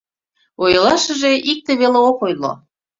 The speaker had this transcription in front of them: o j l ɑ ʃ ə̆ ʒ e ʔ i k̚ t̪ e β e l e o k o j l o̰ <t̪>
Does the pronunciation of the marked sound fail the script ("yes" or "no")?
yes